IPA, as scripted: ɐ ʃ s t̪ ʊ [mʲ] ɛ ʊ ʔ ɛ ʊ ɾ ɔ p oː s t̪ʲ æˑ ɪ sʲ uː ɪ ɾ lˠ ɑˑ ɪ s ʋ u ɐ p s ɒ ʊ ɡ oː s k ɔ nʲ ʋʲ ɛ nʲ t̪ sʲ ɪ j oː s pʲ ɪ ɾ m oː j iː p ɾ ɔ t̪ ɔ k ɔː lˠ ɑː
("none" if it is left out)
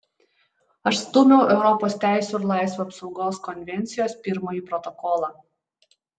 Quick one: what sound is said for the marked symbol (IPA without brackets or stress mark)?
mʲ